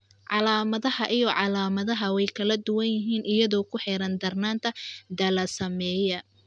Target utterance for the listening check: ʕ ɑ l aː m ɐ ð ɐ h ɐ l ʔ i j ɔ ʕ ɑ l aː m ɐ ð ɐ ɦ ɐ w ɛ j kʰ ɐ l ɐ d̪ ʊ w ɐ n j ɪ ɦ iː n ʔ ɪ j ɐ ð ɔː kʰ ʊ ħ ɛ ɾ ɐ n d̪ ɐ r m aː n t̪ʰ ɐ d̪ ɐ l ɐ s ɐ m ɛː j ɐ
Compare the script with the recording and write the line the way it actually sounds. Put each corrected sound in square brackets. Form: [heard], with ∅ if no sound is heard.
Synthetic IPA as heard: ʕ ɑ l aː m ɐ ð ɐ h ɐ [∅] ʔ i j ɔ ʕ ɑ l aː m ɐ ð ɐ ɦ ɐ w ɛ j kʰ ɐ l ɐ d̪ ʊ w ɐ n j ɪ ɦ iː n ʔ ɪ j ɐ ð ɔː kʰ ʊ ħ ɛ ɾ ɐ n d̪ ɐ r [n] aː n t̪ʰ ɐ d̪ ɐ l ɐ s ɐ m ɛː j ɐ